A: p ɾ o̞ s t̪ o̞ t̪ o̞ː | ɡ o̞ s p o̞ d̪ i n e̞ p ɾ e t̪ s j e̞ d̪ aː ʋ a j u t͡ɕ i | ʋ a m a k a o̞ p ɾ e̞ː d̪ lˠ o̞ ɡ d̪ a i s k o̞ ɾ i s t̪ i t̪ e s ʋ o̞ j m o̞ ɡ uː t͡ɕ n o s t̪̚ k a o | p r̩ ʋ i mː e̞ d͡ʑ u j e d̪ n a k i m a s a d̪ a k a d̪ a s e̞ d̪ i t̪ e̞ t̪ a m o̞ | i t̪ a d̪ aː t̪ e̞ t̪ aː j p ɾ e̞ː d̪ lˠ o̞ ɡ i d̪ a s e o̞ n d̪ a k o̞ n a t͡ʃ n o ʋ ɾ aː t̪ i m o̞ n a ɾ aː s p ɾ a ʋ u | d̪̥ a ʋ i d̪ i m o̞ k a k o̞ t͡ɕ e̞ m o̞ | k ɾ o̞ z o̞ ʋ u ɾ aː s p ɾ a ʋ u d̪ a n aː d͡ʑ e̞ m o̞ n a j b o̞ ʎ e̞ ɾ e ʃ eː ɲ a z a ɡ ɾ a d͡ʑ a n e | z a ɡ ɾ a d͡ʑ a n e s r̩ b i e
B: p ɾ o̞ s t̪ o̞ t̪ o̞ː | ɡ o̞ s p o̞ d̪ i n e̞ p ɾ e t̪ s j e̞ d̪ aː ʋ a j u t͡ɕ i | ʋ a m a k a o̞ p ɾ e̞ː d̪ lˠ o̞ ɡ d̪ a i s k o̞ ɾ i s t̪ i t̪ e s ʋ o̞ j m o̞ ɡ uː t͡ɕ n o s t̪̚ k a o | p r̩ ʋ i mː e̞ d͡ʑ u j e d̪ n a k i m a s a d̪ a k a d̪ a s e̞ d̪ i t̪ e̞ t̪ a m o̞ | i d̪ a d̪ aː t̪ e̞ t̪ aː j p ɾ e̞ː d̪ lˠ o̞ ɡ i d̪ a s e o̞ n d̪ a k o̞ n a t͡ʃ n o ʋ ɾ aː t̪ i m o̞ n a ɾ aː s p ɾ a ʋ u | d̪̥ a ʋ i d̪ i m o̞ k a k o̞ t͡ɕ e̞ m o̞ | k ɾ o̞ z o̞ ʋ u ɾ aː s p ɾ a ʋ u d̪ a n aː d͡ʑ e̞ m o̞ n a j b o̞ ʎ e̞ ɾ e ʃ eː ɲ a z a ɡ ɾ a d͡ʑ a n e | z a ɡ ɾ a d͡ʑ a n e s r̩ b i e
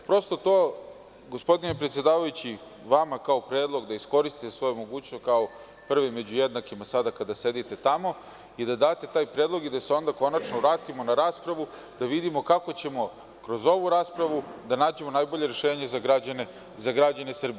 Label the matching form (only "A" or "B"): B